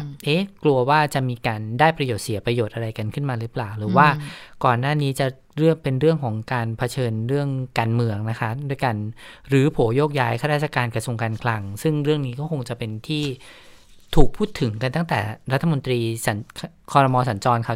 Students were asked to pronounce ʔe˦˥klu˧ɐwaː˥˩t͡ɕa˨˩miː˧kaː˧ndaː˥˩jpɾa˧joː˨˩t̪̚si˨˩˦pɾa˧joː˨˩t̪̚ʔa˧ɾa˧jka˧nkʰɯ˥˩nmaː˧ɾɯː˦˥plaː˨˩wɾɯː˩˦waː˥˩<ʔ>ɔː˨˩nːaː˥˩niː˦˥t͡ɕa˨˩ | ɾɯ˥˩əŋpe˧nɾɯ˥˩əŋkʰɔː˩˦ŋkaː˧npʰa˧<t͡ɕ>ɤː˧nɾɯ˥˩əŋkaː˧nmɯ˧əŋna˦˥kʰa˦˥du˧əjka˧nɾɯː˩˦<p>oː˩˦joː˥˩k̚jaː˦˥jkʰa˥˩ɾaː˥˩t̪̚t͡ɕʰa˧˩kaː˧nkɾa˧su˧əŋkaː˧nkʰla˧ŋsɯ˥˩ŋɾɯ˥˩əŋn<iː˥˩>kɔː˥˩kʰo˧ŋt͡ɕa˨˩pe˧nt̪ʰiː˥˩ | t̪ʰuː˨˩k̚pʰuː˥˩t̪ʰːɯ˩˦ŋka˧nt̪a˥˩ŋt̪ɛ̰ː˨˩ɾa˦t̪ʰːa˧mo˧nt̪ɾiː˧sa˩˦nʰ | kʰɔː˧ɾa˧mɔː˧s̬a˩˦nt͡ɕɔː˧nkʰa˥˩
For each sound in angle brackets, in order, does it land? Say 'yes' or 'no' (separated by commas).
no, no, no, no